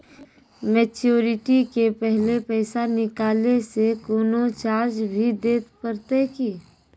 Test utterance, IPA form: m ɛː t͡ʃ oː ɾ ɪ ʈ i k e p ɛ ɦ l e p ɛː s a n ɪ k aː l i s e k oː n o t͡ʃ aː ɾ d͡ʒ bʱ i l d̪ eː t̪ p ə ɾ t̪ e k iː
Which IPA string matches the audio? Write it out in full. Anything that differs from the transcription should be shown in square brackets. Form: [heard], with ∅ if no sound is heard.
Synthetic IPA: m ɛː t͡ʃ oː ɾ ɪ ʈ i k e p ɛ ɦ l e p ɛː s a n ɪ k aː l [e] s e k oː n o t͡ʃ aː ɾ d͡ʒ bʱ i [∅] d̪ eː t̪ p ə ɾ t̪ e k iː